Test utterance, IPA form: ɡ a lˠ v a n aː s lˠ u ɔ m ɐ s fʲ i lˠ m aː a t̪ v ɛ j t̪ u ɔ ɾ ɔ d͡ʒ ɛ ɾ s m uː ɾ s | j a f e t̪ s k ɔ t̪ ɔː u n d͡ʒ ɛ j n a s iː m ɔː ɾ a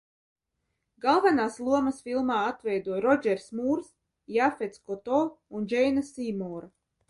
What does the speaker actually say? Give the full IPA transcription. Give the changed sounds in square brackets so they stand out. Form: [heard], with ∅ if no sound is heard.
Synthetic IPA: ɡ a lˠ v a n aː s lˠ u ɔ m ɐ s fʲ i lˠ m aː a t̪ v ɛ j [d̪] u ɔ ɾ ɔ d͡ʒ ɛ ɾ s m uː ɾ s | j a f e t̪ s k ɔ t̪ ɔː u n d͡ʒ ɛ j n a s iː m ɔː ɾ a